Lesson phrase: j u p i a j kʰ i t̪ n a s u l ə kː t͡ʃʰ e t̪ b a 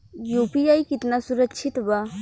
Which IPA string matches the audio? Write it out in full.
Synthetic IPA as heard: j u p i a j k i t̪ n a s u ɾ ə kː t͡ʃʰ i t̪ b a